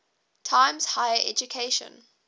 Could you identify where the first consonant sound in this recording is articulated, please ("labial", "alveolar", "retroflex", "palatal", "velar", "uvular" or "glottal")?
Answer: alveolar